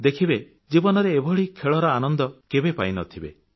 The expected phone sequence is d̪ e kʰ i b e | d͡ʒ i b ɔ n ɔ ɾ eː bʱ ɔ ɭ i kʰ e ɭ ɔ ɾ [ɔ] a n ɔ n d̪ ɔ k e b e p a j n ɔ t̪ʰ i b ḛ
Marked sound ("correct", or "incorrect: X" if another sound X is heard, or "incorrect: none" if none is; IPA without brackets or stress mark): correct